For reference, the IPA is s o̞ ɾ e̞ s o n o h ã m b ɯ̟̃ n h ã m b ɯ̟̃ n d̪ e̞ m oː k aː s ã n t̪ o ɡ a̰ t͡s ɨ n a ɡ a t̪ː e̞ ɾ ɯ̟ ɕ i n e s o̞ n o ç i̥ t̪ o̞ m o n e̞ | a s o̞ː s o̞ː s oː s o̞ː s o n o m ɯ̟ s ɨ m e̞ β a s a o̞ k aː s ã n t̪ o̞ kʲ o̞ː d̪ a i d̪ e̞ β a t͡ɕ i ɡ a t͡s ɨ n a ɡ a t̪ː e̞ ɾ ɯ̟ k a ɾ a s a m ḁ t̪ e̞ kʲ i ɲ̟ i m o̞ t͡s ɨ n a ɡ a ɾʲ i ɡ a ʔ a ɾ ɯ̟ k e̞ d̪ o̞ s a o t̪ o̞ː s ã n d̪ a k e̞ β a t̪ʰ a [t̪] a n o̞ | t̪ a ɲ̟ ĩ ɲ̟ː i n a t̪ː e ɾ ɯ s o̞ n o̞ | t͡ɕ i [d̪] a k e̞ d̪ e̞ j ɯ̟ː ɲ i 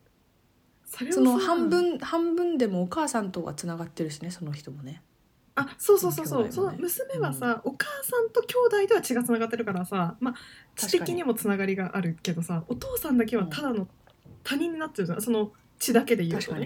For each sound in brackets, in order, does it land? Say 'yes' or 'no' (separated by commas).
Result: no, yes